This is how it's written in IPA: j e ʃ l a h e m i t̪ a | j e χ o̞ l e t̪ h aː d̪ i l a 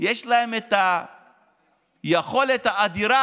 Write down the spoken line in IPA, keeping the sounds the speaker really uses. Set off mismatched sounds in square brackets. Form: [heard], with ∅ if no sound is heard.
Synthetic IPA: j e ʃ l a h e m [e] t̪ a | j e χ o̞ l e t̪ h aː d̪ i [ɾ] a